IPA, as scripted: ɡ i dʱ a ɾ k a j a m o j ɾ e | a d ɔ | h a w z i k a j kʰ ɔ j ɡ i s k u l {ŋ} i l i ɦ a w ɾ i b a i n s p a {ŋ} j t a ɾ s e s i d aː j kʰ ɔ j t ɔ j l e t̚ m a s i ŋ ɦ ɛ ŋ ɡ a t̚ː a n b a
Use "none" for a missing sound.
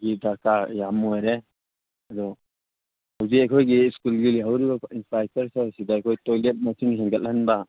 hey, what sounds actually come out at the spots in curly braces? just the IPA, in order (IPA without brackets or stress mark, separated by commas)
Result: ɡ, none